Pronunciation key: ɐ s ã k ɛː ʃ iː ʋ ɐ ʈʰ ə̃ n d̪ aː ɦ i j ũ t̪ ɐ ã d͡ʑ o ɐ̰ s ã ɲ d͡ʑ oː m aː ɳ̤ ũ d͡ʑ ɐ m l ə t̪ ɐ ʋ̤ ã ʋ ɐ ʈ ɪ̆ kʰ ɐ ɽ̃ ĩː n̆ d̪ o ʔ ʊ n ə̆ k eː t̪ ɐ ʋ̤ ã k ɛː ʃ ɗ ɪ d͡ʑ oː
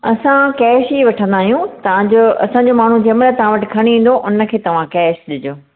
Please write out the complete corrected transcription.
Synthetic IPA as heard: ɐ s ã k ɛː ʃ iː ʋ ɐ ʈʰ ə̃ n d̪ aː ɦ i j ũ t̪ ɐ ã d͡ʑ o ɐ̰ s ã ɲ d͡ʑ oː m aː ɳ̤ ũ d͡ʑ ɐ m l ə t̪ ɐ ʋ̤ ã ʋ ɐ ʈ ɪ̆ kʰ ɐ ɽ̃ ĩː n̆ d̪ o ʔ ʊ n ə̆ kʰ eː t̪ ɐ ʋ̤ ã k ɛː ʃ ɗ ɪ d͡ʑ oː